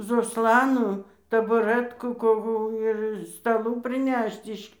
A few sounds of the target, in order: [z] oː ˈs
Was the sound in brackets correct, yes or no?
yes